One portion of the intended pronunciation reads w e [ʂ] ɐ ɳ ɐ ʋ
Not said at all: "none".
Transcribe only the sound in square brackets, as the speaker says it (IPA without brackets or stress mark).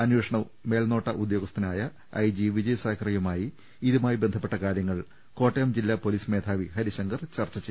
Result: ʂ